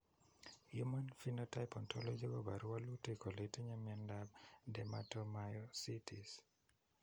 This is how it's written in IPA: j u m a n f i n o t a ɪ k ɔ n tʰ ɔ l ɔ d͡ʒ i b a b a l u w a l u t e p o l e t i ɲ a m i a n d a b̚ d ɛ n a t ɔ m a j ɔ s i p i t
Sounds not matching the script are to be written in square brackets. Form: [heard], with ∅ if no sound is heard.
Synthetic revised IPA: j u m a n f i n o t a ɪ [p] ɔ n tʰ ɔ l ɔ d͡ʒ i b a b a [ɾ] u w a l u t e [k] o l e t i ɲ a m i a n d a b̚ d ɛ [m] a t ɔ m a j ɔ s i [t] i [s]